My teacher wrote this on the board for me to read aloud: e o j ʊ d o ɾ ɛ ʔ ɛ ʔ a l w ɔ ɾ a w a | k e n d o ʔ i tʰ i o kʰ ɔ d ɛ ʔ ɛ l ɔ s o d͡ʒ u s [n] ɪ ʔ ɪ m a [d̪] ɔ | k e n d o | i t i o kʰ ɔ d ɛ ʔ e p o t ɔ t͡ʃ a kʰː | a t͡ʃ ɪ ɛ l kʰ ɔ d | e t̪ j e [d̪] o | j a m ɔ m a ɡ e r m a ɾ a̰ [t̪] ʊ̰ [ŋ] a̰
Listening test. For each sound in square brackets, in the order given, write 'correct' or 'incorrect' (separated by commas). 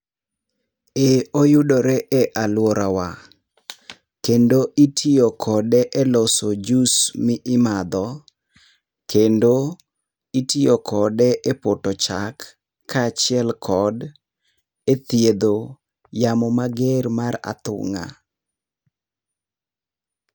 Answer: incorrect, correct, correct, correct, correct